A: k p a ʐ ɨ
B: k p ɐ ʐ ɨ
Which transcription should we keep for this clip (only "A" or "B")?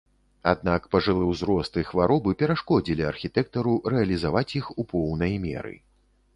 B